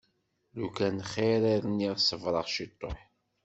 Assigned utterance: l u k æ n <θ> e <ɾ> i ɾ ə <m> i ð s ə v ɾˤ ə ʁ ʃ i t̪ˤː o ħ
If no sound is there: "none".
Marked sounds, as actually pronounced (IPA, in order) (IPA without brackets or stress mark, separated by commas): χ, ɾ, n